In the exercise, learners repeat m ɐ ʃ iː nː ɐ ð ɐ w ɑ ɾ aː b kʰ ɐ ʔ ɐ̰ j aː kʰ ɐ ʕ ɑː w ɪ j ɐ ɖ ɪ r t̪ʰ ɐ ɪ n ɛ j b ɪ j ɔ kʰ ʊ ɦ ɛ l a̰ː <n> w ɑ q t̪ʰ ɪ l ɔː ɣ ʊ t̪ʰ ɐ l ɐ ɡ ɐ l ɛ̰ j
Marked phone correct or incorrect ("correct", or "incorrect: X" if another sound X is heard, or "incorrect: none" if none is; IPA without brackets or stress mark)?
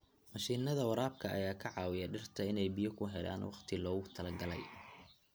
correct